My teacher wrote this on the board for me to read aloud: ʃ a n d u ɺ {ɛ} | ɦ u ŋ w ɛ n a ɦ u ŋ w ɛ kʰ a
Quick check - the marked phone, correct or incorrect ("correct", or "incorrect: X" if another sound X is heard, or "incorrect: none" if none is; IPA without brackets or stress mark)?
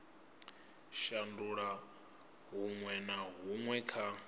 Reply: incorrect: a